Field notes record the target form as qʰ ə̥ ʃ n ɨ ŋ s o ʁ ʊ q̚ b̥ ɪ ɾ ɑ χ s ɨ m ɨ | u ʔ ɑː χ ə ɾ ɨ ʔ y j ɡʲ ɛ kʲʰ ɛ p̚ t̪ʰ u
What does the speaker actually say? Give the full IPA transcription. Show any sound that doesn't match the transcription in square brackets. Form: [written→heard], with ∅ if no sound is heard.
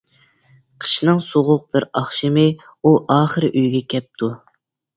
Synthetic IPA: qʰ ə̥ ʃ n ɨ ŋ s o ʁ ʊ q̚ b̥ ɪ ɾ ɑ χ [s→ʃ] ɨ m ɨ | u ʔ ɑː χ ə ɾ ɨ ʔ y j ɡʲ ɛ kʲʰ ɛ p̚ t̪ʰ u